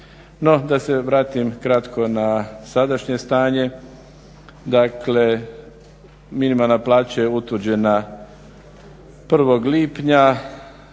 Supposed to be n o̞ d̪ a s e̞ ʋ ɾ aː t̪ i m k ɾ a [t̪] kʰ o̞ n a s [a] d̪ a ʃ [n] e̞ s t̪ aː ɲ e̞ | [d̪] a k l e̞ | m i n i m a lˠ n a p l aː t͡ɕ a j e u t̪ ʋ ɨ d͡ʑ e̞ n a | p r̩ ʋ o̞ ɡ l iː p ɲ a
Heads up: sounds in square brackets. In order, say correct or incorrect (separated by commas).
correct, correct, incorrect, correct